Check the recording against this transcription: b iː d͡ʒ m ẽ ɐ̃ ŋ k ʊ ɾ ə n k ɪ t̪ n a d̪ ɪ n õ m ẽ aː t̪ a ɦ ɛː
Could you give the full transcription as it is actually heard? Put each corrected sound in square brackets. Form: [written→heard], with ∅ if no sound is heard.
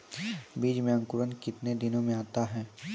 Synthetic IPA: b iː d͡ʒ m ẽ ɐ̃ ŋ k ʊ ɾ ə n k ɪ t̪ n [a→e] d̪ ɪ n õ m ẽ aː t̪ a ɦ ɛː